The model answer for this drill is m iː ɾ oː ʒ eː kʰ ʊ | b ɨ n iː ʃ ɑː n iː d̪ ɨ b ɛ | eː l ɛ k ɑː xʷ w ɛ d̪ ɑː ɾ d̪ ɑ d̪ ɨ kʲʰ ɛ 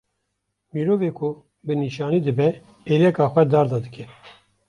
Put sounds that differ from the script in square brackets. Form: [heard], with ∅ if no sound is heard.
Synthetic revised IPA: m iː ɾ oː [v] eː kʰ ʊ | b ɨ n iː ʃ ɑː n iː d̪ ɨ b ɛ | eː l ɛ k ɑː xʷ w ɛ d̪ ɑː ɾ d̪ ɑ d̪ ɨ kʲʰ ɛ